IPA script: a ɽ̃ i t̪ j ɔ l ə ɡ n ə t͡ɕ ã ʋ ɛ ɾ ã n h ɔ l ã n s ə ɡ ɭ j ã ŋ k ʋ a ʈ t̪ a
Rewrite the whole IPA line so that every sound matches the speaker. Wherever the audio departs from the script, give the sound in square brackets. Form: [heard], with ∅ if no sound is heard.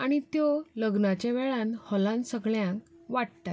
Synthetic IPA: a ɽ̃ i t̪ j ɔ l ə ɡ n [a] t͡ɕ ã ʋ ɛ [ɭ] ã n h ɔ l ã n s ə ɡ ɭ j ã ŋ k ʋ a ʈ t̪ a